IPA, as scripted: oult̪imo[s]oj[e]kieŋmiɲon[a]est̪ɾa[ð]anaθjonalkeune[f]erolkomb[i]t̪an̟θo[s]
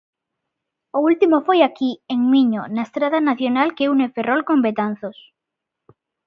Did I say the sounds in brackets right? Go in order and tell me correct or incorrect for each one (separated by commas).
incorrect, incorrect, correct, correct, correct, incorrect, correct